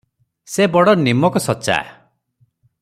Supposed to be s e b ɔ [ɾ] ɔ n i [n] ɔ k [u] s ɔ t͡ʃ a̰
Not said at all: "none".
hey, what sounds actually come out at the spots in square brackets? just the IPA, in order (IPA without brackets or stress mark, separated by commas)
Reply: ɽ, m, ɔ